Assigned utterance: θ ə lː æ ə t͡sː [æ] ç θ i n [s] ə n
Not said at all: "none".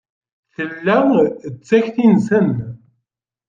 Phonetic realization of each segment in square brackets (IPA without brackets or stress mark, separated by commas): æ, s